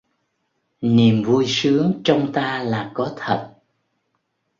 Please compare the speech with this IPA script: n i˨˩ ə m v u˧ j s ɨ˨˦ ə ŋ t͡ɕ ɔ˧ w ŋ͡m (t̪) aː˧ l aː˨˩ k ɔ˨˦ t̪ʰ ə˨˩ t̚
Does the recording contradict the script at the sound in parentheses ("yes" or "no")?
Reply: no